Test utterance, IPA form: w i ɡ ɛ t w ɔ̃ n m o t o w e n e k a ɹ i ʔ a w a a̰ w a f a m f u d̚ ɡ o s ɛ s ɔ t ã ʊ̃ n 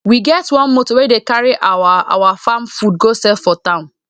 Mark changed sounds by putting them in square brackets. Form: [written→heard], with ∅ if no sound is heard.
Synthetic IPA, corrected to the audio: w i ɡ ɛ t w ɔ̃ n m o t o w e [n→d] e k a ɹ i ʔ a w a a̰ w a f a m f u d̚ ɡ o s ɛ [s→f] ɔ t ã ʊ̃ n